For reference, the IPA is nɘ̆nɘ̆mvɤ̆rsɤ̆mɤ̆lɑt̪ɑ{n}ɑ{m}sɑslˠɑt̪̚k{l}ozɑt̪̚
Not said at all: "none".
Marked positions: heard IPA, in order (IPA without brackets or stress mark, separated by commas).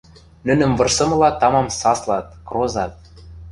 m, m, r